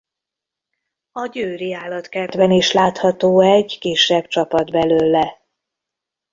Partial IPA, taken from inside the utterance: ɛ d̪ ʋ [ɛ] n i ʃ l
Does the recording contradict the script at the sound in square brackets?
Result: no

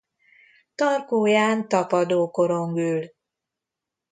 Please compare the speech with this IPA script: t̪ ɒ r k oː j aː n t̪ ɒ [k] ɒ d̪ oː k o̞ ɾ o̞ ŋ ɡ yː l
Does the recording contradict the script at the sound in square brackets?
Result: yes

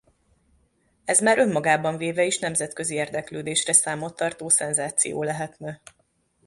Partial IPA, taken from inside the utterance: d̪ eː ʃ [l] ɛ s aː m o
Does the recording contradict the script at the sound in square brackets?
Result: yes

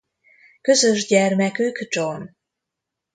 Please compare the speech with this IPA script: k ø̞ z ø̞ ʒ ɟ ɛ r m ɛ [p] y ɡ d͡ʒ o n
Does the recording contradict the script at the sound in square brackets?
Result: yes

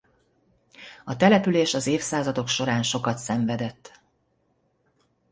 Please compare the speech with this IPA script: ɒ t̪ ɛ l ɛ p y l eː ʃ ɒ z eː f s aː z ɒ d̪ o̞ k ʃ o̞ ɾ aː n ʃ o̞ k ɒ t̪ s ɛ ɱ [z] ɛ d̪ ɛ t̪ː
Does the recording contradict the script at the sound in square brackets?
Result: yes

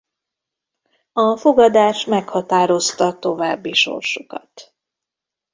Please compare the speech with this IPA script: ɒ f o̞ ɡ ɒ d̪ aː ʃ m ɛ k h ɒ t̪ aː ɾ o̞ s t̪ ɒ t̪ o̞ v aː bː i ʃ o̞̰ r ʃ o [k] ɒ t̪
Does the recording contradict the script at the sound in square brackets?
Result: no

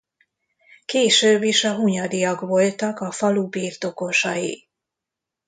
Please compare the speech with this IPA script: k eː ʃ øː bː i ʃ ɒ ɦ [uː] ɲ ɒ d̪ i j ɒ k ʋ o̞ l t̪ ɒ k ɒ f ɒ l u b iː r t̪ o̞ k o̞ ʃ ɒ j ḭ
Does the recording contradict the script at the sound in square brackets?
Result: yes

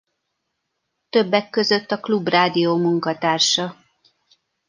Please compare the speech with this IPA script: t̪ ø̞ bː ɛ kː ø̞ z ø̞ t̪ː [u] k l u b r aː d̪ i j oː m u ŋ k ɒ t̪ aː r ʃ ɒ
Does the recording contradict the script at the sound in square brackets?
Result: yes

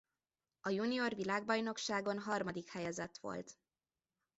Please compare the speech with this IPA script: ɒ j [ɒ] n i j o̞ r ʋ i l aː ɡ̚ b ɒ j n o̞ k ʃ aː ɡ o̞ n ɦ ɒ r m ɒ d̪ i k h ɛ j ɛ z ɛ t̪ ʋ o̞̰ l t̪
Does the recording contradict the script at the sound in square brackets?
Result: yes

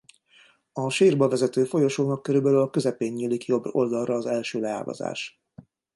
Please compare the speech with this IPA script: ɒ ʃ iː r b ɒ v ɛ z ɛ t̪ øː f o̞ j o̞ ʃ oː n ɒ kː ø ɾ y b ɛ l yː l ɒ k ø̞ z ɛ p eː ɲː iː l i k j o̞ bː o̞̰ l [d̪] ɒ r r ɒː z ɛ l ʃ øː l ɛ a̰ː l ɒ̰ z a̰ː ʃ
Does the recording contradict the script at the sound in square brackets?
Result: no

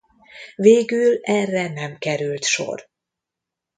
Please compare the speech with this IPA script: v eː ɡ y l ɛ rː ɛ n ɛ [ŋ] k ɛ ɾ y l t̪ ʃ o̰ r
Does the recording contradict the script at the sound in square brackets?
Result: yes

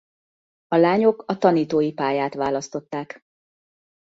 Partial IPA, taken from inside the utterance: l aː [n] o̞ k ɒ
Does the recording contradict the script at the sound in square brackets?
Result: yes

